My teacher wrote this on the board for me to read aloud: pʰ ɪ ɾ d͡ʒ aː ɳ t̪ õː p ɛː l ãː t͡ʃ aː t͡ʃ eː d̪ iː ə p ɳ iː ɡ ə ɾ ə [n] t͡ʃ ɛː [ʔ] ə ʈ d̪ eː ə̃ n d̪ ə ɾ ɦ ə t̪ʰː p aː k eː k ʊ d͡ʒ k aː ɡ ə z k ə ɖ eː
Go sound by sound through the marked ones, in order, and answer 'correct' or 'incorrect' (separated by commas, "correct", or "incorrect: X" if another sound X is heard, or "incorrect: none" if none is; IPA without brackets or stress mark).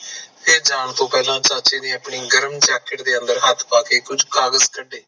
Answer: incorrect: m, incorrect: k